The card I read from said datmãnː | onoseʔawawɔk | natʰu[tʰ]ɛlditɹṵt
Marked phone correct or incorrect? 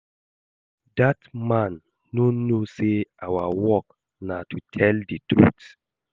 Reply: correct